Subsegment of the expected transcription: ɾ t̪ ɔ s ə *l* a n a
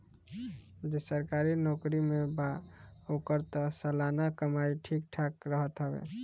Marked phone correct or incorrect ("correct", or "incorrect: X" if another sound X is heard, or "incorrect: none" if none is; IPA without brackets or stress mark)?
correct